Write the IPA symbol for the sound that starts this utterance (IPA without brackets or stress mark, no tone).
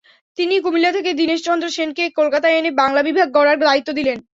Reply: t̪